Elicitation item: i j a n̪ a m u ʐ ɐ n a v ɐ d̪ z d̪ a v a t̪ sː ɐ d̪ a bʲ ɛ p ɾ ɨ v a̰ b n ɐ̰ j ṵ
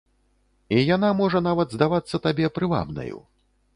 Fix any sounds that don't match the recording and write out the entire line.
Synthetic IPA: i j a n̪ a m ɔ ʐ ɐ n a v ɐ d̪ z d̪ a v a t̪ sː ɐ t̪ a bʲ ɛ p ɾ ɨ v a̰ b n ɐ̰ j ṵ